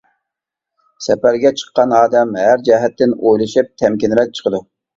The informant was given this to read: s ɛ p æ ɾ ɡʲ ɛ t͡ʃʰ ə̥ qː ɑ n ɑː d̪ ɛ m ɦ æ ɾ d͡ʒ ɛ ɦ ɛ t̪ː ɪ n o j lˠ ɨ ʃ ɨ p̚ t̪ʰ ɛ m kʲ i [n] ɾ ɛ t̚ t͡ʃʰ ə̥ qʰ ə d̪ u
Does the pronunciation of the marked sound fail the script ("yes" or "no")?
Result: no